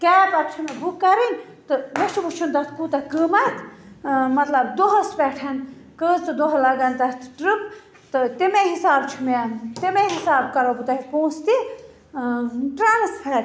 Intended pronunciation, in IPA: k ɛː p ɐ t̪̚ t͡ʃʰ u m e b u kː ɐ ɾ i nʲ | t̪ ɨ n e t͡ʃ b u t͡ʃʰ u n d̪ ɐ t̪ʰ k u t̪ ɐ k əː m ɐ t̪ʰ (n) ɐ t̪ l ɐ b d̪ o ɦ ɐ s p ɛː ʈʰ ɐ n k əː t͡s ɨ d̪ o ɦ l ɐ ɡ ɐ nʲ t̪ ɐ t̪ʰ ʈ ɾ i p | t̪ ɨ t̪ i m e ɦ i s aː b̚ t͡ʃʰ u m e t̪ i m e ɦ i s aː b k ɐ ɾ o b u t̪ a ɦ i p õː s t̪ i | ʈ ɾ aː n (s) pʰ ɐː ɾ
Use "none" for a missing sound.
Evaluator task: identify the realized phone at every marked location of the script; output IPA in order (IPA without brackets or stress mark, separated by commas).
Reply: m, s